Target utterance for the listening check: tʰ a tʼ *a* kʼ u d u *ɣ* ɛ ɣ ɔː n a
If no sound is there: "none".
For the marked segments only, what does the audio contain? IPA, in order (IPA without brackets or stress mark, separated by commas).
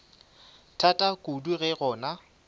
a, ɣ